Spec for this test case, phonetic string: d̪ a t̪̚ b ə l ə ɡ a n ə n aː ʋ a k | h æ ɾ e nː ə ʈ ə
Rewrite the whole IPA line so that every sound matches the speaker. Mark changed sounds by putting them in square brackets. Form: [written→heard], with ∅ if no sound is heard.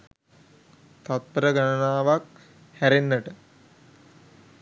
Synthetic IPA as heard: [d̪→t̪] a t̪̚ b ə [l→ɾ] ə ɡ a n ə n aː ʋ a k | h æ ɾ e nː ə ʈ ə